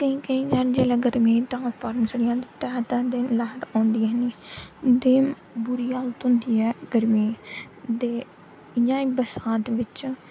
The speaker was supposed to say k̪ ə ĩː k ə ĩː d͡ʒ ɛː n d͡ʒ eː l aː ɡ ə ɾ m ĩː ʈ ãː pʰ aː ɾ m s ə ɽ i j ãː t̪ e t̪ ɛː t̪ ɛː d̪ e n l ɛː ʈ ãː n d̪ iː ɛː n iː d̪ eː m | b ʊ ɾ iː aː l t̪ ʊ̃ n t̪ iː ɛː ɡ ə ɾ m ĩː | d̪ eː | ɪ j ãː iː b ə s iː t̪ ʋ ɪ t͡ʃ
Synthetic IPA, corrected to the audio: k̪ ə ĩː k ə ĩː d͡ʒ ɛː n d͡ʒ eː l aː ɡ ə ɾ m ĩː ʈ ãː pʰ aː ɾ m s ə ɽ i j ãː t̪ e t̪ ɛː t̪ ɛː d̪ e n l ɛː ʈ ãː n d̪ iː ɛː n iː d̪ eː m | b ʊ ɾ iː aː l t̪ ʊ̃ n d̪ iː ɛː ɡ ə ɾ m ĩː | d̪ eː | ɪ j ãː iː b ə s aː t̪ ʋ ɪ t͡ʃ